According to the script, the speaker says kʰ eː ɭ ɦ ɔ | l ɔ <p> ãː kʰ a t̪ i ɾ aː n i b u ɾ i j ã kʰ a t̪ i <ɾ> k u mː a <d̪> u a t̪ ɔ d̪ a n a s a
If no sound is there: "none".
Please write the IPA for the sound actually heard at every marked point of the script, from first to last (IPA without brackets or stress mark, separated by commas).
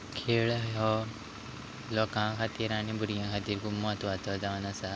k, ɾ, t̪